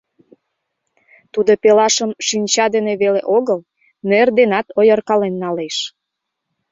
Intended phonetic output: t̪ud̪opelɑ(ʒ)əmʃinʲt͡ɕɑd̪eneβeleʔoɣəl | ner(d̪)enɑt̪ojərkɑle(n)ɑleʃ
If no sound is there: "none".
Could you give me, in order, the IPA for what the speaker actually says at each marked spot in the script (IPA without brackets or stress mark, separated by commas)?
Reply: ʃ, d̪, nː